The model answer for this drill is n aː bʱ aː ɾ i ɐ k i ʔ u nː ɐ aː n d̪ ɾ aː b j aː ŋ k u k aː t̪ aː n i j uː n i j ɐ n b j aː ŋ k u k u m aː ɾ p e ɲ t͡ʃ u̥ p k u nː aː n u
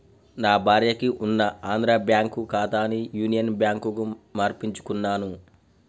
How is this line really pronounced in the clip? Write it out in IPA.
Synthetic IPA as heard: n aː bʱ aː ɾ j ɐ k i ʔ u nː ɐ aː n d̪ ɾ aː b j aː ŋ k u k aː t̪ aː n i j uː n i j ɐ n b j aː ŋ k u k u m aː ɾ p i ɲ t͡ʃ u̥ k u nː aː n u